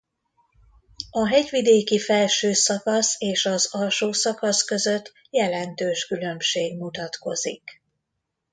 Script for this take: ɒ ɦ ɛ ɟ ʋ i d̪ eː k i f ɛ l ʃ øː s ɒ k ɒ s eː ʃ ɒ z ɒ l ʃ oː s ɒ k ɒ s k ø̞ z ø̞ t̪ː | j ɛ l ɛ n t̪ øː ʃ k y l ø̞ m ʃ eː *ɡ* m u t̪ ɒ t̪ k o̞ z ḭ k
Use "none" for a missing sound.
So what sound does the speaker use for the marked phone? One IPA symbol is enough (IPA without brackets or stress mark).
ɡ